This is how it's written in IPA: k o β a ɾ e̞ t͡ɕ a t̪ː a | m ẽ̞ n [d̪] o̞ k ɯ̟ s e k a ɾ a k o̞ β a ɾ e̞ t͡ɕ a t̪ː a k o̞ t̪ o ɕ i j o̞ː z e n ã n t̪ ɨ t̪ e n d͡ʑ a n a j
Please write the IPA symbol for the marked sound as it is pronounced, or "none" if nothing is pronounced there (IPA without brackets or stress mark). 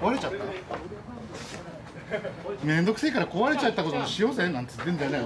d̪